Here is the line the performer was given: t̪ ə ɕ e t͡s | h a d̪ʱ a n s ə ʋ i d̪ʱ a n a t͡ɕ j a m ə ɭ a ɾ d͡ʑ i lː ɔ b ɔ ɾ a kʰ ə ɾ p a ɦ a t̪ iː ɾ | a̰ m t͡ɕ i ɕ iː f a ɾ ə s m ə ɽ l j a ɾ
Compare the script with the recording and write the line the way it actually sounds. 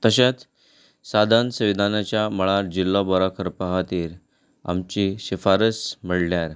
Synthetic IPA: t̪ ə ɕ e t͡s | s a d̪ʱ a n s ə ʋ i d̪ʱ a n a t͡ɕ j a m ə ɭ a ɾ d͡ʑ i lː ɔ b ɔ ɾ a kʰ ə ɾ p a ɦ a t̪ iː ɾ | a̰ m t͡ɕ i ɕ i f a ɾ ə s m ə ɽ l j a ɾ